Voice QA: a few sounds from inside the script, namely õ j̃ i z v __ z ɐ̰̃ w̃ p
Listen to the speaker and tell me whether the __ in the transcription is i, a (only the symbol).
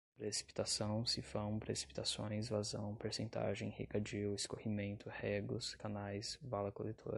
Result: a